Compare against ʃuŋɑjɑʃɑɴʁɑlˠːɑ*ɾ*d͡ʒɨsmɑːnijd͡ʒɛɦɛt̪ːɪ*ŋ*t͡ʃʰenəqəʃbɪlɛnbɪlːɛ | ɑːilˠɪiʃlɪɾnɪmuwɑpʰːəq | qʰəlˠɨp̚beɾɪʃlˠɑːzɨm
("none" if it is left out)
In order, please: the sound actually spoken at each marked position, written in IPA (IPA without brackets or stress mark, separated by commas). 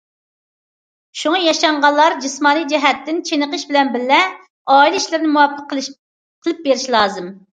ɾ, n